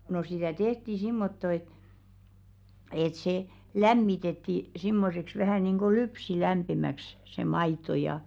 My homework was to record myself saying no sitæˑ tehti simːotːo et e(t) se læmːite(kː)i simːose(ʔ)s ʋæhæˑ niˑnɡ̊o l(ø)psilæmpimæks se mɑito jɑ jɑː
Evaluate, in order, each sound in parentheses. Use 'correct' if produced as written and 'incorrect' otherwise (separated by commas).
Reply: correct, incorrect, incorrect, incorrect